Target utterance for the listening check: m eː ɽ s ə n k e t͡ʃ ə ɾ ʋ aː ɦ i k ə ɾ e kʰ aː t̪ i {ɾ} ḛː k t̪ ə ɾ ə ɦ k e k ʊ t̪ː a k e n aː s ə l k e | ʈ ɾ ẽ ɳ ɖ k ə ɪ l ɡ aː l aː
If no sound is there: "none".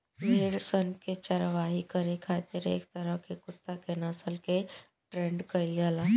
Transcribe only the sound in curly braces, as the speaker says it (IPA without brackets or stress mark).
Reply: ɾ